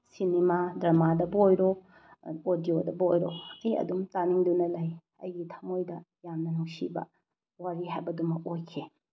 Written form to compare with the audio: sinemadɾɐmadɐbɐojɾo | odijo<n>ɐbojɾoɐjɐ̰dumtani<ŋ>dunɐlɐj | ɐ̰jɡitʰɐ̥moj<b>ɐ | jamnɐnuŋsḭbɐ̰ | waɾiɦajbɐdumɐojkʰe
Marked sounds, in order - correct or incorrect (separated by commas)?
incorrect, correct, incorrect